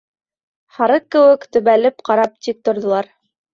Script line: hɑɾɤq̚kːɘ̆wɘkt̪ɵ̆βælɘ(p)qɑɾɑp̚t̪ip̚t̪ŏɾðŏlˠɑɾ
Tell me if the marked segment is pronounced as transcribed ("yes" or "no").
yes